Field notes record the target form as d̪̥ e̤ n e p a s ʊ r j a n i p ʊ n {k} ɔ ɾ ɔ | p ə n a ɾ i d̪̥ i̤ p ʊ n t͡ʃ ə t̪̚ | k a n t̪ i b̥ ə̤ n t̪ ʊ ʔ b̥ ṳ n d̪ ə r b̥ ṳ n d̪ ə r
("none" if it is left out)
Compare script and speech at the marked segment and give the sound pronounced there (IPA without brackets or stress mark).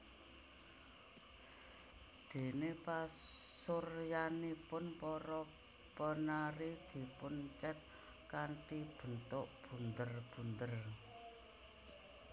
p